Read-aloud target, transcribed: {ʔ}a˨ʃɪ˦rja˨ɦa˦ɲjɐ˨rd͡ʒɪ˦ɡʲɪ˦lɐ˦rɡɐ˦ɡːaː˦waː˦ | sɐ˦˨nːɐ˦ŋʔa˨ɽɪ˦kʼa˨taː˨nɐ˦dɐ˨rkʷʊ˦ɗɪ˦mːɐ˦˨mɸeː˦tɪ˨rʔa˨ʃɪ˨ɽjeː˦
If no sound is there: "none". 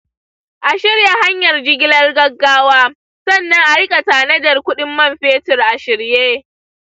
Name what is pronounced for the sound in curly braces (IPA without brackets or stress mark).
ʔ